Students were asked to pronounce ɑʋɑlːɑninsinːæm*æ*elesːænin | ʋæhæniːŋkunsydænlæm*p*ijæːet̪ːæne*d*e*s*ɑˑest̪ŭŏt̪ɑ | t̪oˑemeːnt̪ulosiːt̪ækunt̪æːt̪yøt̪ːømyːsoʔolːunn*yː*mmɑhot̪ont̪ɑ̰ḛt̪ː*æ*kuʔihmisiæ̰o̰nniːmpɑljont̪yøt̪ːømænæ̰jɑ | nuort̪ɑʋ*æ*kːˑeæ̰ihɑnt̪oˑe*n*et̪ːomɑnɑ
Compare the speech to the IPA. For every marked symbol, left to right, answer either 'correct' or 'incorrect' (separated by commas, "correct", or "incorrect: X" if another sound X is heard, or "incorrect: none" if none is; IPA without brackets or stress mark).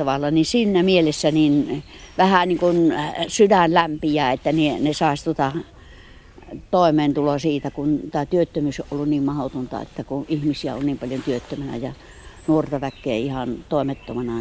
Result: incorrect: i, correct, incorrect: n, correct, incorrect: iː, correct, correct, incorrect: m